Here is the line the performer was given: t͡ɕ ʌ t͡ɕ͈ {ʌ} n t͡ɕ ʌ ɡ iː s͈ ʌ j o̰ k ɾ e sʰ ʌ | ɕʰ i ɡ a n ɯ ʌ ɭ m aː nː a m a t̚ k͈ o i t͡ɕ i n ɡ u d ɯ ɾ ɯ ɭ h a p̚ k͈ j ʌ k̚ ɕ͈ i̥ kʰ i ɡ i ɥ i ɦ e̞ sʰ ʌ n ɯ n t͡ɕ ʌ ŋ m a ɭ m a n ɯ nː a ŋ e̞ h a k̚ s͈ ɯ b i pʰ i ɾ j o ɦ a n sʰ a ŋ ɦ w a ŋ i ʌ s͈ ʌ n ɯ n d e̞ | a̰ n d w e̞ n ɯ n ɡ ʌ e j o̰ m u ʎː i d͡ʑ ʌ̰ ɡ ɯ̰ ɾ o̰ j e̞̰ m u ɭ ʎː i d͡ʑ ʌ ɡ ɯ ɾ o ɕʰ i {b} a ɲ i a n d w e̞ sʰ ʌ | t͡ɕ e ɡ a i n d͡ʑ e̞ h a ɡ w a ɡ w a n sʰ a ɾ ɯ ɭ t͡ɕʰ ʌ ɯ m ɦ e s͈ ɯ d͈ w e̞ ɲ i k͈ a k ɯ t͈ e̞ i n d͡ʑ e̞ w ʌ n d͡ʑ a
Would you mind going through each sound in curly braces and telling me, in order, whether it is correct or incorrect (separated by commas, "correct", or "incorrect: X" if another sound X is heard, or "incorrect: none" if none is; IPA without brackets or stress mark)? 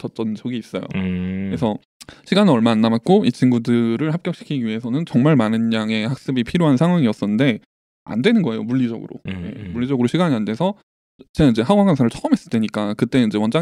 correct, incorrect: ɡ